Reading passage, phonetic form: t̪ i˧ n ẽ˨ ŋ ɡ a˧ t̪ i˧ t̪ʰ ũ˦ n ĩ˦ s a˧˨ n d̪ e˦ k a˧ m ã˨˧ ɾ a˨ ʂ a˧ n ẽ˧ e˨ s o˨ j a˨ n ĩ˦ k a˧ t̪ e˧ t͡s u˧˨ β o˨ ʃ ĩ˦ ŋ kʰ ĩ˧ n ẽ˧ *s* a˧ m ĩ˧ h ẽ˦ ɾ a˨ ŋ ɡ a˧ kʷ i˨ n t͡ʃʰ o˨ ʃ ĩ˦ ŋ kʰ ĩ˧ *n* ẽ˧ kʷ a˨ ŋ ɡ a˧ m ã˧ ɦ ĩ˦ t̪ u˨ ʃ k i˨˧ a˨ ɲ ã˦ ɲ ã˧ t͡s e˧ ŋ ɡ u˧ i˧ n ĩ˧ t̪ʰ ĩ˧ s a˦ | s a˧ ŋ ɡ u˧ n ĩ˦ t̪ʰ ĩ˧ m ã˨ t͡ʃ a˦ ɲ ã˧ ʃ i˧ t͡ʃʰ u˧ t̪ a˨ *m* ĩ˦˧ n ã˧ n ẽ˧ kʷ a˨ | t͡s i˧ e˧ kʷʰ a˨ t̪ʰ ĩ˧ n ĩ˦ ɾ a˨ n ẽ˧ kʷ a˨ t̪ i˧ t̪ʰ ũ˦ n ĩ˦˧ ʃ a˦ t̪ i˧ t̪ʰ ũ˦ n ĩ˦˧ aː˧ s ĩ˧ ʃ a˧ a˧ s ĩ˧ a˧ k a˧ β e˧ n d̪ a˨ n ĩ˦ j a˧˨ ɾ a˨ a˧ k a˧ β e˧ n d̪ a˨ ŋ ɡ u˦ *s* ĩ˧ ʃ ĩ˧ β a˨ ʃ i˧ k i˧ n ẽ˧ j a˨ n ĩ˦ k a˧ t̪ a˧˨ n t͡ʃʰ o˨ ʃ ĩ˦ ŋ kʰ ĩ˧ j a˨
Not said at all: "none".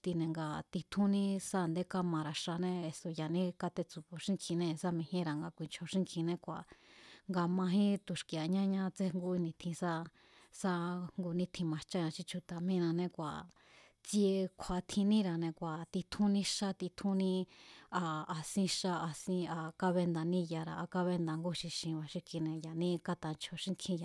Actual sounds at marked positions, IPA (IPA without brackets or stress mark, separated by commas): s, n, m, ʃ